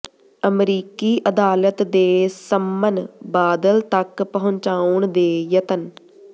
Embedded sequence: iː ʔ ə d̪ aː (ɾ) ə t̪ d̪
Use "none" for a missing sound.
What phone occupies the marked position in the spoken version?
l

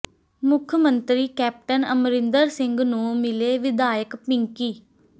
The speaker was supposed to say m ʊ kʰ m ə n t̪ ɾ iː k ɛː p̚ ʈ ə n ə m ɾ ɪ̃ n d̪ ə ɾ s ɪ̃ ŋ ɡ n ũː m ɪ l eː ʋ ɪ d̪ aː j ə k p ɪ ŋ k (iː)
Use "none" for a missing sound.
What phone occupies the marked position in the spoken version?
iː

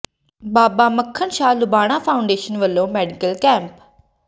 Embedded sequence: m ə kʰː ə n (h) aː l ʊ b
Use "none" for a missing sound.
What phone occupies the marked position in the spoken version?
ʃ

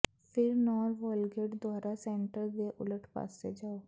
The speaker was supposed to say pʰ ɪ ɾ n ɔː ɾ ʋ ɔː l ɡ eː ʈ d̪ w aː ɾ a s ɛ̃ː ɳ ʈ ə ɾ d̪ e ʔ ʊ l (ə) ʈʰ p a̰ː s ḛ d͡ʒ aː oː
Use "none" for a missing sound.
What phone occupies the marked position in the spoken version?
ə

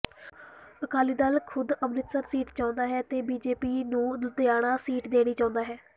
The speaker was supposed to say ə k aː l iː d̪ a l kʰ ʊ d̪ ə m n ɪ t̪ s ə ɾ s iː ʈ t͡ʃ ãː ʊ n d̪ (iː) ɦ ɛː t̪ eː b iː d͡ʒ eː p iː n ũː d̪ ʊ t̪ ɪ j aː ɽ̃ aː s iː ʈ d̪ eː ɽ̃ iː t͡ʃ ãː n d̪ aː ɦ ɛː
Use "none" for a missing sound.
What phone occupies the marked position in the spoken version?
aː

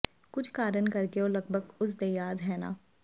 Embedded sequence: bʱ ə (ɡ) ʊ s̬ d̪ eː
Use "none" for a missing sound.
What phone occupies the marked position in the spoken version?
ɡ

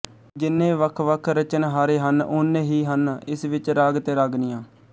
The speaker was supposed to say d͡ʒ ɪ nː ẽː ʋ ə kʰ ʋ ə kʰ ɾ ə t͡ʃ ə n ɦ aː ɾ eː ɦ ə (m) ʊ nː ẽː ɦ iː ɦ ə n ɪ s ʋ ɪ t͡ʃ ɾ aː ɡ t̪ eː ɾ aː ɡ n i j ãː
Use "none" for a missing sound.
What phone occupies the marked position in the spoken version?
n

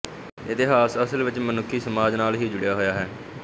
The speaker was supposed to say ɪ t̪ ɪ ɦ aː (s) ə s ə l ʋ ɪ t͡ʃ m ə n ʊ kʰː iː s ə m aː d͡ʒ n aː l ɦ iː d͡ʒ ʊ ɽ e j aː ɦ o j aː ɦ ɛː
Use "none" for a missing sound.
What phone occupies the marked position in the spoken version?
s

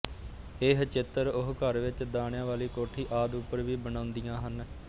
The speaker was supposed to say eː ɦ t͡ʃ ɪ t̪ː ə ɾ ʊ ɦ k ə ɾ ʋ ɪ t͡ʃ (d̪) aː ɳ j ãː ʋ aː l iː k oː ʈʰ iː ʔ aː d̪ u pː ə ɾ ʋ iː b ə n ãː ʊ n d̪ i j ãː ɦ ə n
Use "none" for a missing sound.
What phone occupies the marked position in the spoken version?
d̪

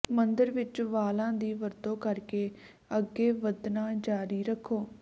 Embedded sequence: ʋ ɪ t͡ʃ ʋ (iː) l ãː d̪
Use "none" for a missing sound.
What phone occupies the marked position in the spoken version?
aː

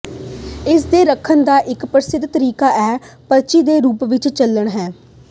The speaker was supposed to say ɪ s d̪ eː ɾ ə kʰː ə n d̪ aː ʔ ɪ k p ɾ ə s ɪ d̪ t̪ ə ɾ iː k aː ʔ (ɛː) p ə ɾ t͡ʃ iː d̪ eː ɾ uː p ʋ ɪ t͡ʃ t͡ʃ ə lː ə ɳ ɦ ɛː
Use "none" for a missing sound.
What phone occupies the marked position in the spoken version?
ɛː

